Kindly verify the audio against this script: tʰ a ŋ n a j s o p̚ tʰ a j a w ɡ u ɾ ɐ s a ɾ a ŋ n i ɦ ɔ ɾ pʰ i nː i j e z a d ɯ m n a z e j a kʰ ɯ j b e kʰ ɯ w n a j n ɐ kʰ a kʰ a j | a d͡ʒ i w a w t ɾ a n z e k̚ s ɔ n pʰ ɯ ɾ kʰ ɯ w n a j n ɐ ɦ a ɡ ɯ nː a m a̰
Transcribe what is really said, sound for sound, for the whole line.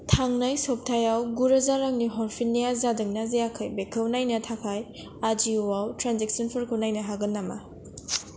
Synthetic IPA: tʰ a ŋ n a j s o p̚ tʰ a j a w ɡ u ɾ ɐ z a ɾ a ŋ n i ɦ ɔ ɾ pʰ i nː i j a z a d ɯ ŋ n a z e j a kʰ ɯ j b e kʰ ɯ w n a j n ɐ tʰ a kʰ a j | a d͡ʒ i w a w t ɾ a n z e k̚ s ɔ n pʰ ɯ ɾ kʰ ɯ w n a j n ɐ ɦ a ɡ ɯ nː a m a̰